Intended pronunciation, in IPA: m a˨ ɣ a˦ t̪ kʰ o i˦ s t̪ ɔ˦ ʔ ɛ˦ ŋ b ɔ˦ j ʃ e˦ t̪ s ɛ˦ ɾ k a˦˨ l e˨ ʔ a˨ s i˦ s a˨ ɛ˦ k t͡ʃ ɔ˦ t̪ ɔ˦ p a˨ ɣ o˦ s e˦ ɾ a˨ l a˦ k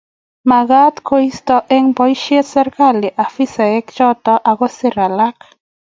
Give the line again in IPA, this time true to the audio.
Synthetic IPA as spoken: m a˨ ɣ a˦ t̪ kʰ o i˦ s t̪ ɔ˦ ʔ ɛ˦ ŋ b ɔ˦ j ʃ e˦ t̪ s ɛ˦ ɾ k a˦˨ l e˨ ʔ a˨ f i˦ s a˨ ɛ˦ k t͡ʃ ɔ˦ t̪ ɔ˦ ʔ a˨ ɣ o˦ s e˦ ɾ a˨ l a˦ k